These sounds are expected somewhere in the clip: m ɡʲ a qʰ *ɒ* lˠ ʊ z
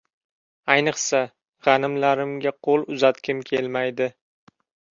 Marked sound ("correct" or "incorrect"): incorrect